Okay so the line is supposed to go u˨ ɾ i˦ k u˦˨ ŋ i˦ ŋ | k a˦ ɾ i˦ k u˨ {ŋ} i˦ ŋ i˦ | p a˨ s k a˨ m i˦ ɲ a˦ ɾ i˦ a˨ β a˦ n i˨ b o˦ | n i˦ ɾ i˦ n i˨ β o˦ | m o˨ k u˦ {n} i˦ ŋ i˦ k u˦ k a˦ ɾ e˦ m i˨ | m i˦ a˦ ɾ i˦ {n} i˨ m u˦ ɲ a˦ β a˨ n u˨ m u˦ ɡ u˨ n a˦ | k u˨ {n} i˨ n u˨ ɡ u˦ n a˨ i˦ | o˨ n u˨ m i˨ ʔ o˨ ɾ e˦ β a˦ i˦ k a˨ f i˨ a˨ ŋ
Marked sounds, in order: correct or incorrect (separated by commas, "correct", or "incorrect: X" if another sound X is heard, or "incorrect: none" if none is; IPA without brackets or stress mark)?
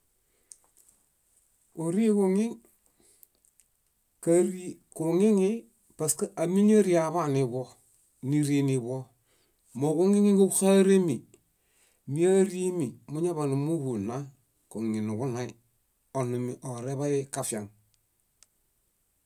correct, incorrect: ŋ, incorrect: m, incorrect: ŋ